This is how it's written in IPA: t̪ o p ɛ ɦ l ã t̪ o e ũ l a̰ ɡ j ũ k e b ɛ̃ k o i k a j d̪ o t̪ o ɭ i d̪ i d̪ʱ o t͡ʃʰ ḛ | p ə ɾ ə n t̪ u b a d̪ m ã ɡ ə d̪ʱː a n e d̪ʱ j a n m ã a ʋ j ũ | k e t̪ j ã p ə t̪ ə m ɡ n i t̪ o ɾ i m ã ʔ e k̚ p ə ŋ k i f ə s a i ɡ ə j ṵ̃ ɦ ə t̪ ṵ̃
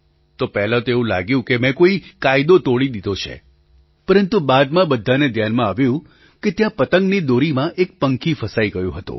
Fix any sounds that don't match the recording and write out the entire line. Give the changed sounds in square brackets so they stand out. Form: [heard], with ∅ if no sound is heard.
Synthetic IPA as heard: t̪ o p ɛ ɦ l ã t̪ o e ũ l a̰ ɡ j ũ k e [m] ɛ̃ k o i k a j d̪ o t̪ o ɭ i d̪ i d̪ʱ o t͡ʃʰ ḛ | p ə ɾ ə n t̪ u b a d̪ m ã [b] ə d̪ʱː a n e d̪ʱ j a n m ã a ʋ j ũ | k e t̪ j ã p ə t̪ ə [ŋ] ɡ n i [d̪] o ɾ i m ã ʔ e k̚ p ə ŋ k i f ə s a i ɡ ə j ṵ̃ ɦ ə t̪ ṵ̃